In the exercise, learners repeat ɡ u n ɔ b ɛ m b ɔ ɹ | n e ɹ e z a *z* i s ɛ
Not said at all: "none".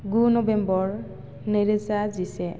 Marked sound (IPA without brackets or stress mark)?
z